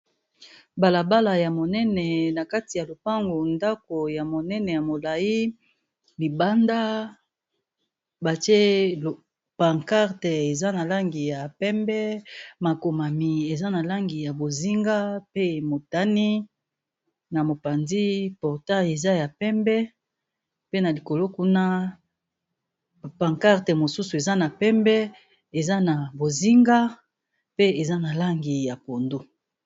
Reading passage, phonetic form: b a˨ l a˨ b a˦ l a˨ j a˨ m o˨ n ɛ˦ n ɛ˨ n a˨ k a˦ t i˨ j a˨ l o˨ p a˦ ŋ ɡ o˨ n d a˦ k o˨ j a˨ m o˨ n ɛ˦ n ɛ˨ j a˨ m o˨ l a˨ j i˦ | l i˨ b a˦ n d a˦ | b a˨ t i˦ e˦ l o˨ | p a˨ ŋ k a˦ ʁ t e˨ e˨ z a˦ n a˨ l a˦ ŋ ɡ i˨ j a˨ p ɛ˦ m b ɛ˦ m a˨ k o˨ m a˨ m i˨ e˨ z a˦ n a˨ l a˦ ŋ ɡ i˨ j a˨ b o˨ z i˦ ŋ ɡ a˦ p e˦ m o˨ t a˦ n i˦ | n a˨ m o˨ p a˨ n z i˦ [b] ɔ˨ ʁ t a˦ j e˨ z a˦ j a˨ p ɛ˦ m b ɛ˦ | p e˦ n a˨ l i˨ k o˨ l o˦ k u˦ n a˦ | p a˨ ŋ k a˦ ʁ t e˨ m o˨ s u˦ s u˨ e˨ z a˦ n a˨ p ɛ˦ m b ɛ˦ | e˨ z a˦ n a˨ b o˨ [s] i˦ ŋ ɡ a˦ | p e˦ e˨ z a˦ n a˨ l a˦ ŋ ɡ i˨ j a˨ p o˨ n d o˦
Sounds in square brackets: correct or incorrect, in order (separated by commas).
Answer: incorrect, incorrect